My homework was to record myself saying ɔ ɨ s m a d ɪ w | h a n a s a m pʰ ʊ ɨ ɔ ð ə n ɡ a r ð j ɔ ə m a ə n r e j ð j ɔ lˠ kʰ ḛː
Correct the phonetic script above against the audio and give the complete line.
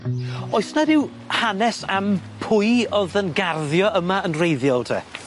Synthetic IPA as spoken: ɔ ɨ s n a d ɪ w | h a n ɛ s a m pʰ ʊ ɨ ɔ ð ə n ɡ a r ð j ɔ ə m a ə n r e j ð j ɔ lˠ tʰ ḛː